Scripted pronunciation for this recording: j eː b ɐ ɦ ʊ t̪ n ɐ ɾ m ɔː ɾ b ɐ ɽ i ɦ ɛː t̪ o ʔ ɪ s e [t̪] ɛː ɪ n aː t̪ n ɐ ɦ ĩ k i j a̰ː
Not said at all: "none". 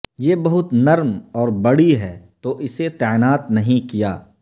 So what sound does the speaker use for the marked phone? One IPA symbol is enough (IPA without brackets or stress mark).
t̪